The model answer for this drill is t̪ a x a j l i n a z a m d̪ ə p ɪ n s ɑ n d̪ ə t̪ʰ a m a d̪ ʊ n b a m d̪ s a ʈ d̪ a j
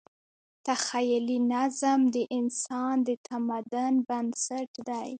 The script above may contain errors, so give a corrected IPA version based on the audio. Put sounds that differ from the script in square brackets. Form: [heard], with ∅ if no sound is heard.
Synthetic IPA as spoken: t̪ a x a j l i n a z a m d̪ ə [ʔ] ɪ n s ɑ n d̪ ə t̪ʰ a m a d̪ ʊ n b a [n] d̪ s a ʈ d̪ a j